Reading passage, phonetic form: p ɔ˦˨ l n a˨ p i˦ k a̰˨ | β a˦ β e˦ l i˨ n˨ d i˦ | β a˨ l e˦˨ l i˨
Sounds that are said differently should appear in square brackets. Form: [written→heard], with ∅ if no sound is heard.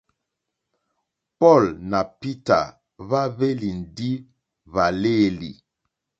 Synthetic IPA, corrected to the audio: p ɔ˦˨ l n a˨ p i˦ [k→t] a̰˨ | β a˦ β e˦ l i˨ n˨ d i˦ | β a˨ l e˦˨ l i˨